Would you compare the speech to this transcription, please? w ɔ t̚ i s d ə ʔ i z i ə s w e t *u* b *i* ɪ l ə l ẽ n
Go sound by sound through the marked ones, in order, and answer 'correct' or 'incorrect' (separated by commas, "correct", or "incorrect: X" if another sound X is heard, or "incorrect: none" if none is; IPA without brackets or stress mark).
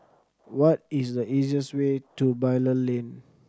correct, incorrect: a